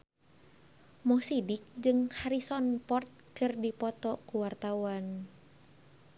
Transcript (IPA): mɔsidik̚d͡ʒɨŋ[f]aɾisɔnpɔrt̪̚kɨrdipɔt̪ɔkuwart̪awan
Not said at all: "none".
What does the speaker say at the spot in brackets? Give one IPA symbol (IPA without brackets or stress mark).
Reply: h